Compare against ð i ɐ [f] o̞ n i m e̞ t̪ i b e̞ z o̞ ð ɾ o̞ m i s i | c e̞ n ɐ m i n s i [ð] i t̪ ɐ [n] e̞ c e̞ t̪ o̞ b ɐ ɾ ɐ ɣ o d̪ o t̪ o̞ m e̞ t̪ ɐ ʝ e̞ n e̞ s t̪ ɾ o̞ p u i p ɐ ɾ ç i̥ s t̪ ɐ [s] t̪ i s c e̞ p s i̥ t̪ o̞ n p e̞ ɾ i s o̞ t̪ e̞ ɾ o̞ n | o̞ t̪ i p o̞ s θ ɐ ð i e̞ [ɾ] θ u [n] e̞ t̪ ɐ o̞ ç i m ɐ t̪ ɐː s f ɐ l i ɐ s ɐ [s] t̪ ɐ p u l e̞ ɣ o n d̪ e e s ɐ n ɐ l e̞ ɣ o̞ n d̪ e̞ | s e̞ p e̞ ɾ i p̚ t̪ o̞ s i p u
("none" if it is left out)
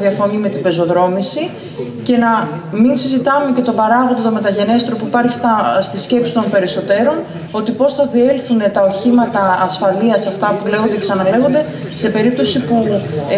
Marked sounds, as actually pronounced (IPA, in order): f, z, m, s, l, n, f

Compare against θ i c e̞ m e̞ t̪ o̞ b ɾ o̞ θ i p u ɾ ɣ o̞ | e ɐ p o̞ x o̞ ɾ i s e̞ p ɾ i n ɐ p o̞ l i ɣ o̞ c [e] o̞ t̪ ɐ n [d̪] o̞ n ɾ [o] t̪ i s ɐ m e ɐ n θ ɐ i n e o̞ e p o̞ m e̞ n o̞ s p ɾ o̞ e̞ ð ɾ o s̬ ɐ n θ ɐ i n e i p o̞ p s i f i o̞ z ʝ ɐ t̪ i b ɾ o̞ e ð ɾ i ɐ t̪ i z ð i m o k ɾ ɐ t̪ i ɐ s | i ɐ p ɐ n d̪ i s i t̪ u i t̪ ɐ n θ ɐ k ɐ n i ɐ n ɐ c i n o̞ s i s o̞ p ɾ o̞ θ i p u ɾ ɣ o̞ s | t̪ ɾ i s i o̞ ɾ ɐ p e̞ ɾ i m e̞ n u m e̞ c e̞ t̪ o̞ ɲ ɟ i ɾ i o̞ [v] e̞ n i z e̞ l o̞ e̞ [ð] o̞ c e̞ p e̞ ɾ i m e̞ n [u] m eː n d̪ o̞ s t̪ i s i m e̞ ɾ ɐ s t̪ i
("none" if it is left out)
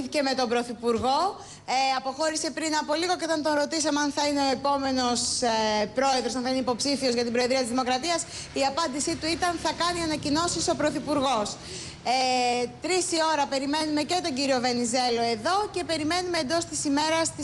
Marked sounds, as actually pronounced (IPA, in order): e, t̪, o, v, ð, u

